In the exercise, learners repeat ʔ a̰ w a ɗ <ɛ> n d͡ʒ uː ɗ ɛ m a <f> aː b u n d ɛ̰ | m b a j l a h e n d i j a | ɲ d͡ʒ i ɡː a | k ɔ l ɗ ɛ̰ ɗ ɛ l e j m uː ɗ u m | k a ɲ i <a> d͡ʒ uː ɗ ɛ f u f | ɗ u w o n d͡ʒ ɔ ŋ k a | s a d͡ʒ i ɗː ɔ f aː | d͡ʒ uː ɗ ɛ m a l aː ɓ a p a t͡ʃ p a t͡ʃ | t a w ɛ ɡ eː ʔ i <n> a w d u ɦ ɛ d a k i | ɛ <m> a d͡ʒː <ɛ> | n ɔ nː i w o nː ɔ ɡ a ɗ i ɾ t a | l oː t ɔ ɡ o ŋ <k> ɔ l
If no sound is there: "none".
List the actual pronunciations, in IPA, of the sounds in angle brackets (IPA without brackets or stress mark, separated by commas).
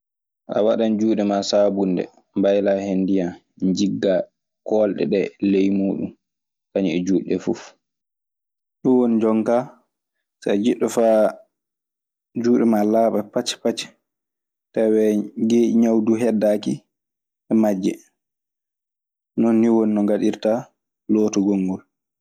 a, s, ɛ, ɲ, m, ɛ, ɡ